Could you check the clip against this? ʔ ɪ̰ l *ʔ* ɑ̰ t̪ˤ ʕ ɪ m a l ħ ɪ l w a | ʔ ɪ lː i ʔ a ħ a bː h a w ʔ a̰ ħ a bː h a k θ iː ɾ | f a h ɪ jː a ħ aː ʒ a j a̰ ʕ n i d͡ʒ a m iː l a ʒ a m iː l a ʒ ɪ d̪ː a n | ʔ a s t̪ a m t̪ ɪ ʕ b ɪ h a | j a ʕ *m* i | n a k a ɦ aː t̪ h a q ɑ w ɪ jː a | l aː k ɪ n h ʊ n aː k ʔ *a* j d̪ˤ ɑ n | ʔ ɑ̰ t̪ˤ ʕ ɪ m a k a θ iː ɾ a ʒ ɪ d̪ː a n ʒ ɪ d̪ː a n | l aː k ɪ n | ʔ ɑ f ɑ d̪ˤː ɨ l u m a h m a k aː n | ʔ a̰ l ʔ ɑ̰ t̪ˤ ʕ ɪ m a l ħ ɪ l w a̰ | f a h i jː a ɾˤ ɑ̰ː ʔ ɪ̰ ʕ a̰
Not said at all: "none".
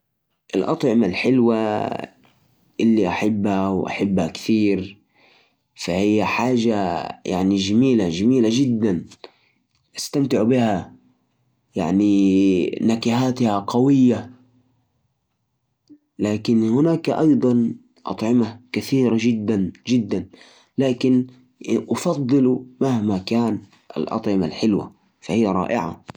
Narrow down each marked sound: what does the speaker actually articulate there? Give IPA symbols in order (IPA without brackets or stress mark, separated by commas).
ʔ, n, ɑ